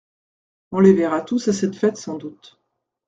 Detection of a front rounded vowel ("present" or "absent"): absent